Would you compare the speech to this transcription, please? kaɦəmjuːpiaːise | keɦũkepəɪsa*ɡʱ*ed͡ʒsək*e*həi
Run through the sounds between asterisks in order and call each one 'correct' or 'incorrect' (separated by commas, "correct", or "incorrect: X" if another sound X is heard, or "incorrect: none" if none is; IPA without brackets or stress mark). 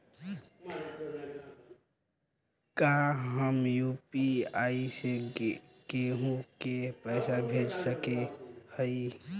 incorrect: bʱ, correct